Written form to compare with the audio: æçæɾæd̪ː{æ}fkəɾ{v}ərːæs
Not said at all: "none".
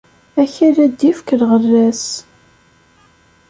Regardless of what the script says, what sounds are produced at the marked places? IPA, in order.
i, ʁ

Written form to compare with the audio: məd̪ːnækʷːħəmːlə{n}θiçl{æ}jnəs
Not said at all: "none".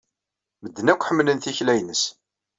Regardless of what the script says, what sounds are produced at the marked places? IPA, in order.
n, æ

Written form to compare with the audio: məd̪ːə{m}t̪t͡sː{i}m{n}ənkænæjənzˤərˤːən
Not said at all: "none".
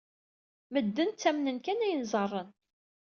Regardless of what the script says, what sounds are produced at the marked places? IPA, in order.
n, æ, n

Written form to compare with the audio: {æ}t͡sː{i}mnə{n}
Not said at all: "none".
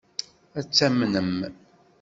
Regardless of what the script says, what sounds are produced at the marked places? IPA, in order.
æ, æ, m

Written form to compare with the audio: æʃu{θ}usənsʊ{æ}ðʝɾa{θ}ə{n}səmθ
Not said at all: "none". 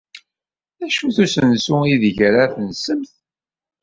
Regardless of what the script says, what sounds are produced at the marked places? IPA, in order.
θ, i, θ, n

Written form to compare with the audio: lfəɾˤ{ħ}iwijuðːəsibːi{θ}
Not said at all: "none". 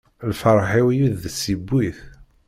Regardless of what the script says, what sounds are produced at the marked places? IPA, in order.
ħ, θ

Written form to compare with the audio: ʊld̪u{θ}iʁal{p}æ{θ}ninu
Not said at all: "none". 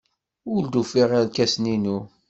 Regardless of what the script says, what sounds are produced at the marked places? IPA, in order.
f, k, s

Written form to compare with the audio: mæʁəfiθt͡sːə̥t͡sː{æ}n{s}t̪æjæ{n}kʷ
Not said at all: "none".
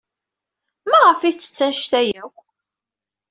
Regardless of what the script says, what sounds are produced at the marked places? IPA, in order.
æ, ʃ, none

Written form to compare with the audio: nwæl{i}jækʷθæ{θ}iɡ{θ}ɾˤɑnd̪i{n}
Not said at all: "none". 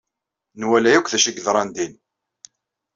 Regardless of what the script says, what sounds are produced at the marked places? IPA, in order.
æ, ʃ, ð, n

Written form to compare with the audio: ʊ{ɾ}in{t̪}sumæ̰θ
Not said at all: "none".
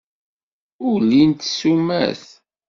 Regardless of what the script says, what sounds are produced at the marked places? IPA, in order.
l, t̪

